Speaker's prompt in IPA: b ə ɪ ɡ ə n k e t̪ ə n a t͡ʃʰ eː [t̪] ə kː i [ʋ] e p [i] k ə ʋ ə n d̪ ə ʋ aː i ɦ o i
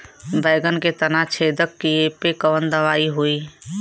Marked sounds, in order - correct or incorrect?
incorrect, incorrect, incorrect

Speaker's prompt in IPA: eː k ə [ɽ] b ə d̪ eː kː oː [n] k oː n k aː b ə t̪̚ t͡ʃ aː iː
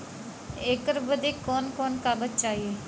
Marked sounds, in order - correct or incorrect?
incorrect, correct

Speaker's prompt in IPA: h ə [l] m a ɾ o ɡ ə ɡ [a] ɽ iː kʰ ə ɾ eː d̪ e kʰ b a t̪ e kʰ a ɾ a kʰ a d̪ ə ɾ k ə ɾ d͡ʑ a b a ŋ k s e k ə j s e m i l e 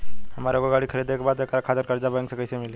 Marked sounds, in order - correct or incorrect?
incorrect, correct

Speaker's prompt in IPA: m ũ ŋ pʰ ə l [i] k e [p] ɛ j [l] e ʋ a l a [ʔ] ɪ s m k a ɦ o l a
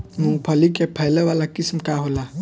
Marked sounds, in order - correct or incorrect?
correct, incorrect, correct, incorrect

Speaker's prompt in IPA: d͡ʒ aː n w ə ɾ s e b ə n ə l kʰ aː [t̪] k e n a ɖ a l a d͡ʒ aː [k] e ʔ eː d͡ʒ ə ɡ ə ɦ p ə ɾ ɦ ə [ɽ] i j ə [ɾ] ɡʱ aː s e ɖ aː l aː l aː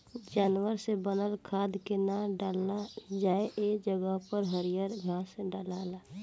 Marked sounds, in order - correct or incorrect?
incorrect, incorrect, incorrect, correct

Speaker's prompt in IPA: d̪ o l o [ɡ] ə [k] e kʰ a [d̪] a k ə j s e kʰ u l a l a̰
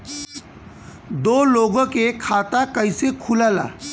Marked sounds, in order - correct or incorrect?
correct, correct, incorrect

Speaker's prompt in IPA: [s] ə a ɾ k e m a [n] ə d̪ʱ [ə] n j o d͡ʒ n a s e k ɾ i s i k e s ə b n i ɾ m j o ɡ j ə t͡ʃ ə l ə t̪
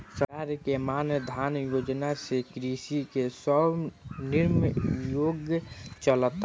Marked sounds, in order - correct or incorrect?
correct, correct, incorrect

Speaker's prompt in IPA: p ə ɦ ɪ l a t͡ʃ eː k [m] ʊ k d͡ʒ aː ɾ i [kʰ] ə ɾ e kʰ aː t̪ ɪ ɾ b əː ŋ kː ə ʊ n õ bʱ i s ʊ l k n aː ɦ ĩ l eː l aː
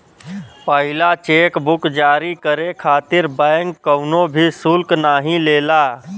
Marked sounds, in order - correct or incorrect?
incorrect, incorrect

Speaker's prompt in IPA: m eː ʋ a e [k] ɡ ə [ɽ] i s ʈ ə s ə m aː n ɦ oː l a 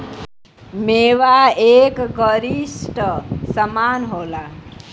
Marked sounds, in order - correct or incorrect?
correct, incorrect

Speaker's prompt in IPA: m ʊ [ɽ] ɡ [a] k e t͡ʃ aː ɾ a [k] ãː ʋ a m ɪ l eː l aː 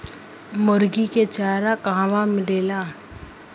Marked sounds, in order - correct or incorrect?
incorrect, incorrect, correct

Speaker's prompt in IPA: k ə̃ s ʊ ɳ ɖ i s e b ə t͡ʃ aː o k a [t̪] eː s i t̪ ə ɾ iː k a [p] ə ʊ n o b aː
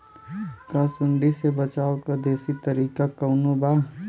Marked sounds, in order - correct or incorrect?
incorrect, incorrect

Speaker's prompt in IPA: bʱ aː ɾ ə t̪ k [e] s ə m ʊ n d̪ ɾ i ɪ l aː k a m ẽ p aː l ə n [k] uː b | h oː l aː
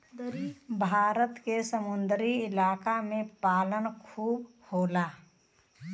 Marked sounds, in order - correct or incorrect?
correct, incorrect

